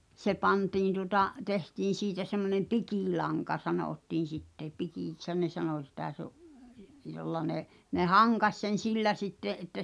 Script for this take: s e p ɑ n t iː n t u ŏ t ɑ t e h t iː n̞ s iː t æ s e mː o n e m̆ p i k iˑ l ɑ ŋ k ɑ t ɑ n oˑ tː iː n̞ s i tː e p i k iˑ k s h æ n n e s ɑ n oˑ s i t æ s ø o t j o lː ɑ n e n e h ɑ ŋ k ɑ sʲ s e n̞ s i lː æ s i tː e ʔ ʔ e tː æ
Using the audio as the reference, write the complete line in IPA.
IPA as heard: s e p ɑ n t iː n t u ŏ t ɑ t e h t iː n̞ s iː t æ s e mː o n e m̆ p i k iˑ l ɑ ŋ k ɑ s ɑ n oˑ tː iː n̞ s i tː e p i k iˑ k s h æ n n e s ɑ n oˑ s i t æ s e o ʔ j o lː ɑ n e n e h ɑ ŋ k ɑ sʲ s e n̞ s i lː æ s i tː e ʔ ʔ e tː æ